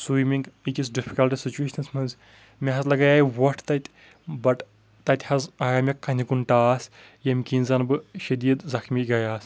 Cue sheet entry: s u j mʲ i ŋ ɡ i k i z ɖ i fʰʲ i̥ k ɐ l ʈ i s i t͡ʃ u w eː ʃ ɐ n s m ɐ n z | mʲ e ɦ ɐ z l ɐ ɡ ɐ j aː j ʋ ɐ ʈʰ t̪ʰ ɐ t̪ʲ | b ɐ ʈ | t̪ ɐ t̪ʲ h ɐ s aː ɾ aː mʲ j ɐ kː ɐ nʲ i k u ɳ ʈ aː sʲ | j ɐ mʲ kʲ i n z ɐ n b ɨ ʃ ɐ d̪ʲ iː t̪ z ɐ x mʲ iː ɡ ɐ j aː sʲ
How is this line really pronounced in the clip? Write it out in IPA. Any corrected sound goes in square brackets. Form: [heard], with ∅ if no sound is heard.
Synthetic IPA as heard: s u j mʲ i ŋ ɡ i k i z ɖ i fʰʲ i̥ k ɐ l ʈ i s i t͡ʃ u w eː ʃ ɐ n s m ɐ n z | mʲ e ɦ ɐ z l ɐ ɡ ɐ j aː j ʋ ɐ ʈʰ [t̪] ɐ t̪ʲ | b ɐ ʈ | t̪ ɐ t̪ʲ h ɐ [z] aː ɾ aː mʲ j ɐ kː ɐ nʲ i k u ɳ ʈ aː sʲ | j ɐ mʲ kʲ i n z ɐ n b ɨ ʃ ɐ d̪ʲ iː [d̪] z ɐ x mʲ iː ɡ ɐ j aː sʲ